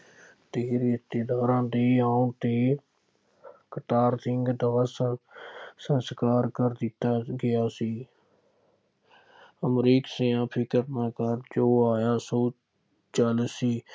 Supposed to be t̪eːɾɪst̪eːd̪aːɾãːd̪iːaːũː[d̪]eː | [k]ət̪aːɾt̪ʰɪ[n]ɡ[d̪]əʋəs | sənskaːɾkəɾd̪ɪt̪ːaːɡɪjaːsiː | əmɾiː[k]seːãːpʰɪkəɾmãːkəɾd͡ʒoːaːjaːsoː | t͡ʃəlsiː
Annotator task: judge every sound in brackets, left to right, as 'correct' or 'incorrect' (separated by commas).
incorrect, correct, incorrect, correct, correct